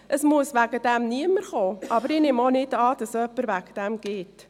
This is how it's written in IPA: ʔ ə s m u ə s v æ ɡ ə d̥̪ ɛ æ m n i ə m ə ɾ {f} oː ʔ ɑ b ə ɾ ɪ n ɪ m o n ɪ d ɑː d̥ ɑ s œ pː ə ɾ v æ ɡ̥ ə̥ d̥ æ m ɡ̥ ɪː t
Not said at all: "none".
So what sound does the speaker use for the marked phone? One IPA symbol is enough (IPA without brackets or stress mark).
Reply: χ